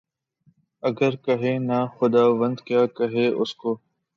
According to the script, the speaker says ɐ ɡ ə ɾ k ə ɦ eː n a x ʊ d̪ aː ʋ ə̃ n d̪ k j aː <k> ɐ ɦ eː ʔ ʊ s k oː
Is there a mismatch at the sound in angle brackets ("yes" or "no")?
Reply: no